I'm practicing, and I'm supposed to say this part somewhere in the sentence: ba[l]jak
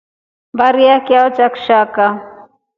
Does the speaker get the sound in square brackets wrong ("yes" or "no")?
yes